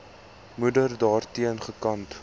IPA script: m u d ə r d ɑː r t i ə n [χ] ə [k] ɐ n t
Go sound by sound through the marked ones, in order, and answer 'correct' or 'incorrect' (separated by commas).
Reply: correct, correct